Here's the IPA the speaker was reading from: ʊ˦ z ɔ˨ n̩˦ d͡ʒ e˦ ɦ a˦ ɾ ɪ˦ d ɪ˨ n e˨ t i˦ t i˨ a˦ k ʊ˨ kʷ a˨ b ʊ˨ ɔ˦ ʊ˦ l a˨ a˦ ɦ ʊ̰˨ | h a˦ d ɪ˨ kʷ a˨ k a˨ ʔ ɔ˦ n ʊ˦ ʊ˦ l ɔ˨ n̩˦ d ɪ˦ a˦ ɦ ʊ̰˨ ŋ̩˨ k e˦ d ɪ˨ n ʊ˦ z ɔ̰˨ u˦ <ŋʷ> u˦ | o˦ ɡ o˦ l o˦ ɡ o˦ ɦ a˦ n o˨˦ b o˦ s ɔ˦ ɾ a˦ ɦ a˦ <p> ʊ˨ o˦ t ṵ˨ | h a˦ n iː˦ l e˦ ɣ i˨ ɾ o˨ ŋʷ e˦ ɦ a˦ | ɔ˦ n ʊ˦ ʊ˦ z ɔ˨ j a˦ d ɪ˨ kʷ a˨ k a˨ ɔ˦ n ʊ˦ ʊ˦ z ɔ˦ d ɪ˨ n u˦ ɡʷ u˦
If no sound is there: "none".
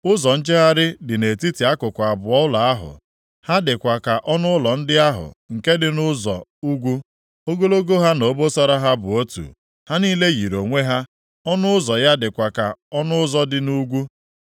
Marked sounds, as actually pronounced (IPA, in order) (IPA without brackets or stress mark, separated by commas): ɡʷ, b